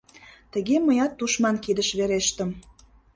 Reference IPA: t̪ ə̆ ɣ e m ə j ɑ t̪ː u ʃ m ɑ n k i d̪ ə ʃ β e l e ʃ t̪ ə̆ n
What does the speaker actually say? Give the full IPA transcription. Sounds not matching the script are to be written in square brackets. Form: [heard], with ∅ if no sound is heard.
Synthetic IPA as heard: t̪ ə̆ ɣ e m ə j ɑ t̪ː u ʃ m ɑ n k i d̪ ə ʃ β e [ɾ] e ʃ t̪ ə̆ [m]